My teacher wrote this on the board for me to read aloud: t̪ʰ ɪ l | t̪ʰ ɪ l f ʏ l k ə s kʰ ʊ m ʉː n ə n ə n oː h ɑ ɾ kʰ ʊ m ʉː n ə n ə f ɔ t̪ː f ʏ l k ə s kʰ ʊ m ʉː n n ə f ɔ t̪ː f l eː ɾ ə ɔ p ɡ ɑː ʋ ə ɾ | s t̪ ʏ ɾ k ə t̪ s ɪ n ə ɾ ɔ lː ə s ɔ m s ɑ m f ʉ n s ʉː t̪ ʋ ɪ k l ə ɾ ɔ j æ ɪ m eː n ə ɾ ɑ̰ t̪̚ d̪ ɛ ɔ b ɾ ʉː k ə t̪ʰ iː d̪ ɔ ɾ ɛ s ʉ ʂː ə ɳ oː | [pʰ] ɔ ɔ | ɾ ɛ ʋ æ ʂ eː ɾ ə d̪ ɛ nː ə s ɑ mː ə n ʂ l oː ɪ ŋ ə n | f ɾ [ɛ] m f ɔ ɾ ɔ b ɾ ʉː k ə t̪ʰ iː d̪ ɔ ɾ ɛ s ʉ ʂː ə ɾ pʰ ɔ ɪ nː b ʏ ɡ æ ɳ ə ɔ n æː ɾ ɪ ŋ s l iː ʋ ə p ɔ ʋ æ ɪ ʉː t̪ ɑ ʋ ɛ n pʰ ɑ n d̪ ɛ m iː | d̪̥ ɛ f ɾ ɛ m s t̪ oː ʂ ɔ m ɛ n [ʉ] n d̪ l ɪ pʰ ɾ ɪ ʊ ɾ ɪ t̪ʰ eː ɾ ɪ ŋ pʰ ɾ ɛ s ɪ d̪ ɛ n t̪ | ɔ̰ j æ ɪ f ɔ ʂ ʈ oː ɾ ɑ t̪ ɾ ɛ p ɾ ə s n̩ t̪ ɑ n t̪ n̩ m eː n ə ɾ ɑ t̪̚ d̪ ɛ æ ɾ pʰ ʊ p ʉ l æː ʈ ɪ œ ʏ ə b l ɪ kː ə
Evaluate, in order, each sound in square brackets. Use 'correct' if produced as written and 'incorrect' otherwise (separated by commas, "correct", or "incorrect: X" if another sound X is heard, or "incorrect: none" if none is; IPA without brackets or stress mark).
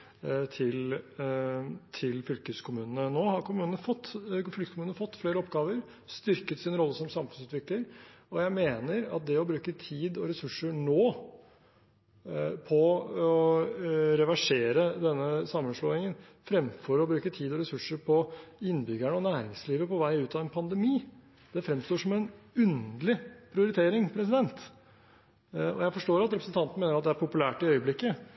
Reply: correct, correct, correct